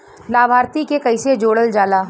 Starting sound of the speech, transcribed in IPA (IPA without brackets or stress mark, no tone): l